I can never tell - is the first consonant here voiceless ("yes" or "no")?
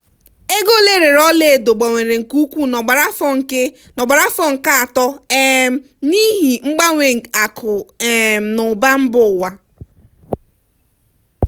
no